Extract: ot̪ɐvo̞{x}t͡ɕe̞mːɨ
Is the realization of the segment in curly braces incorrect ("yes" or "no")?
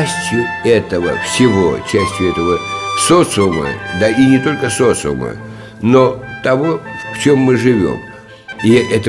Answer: yes